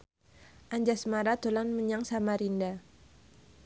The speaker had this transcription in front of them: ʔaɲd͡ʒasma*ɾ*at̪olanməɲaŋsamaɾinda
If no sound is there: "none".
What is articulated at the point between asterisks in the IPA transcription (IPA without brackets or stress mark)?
ɾ